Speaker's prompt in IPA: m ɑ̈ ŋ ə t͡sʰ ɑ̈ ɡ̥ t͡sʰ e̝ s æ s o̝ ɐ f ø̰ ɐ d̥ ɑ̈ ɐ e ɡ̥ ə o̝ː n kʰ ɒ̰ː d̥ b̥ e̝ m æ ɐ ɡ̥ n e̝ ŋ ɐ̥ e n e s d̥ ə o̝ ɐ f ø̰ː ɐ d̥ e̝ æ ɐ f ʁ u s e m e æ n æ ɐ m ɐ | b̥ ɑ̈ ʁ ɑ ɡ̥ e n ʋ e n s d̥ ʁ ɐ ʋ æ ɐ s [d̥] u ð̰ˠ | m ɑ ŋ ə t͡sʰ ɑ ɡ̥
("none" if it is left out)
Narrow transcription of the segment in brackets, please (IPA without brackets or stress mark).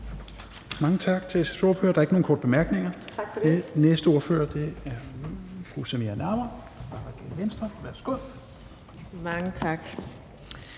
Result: ɡ̥